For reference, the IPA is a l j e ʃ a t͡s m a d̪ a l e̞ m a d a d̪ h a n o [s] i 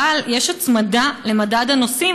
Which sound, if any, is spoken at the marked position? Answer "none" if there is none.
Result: s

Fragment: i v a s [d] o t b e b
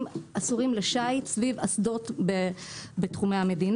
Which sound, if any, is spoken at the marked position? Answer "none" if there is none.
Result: d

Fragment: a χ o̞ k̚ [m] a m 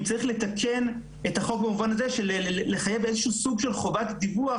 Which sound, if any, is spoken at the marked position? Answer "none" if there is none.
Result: b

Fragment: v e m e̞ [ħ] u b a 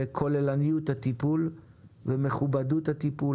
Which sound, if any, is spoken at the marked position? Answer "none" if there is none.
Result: χ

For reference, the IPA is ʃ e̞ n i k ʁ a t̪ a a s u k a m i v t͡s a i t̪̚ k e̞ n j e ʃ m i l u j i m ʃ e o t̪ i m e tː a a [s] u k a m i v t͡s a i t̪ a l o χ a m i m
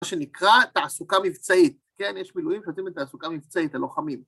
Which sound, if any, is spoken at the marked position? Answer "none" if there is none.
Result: s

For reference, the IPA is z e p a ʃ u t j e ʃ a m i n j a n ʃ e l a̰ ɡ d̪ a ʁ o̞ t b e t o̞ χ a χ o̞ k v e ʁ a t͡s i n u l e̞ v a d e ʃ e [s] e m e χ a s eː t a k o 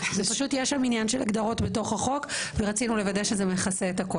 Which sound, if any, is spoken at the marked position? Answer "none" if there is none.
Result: z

